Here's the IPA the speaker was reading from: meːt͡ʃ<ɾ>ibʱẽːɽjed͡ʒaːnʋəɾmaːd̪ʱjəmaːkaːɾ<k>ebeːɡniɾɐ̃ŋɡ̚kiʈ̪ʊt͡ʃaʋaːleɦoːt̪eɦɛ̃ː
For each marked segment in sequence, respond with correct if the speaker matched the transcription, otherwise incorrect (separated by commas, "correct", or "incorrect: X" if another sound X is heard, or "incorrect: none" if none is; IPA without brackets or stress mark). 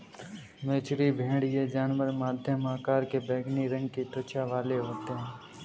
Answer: correct, correct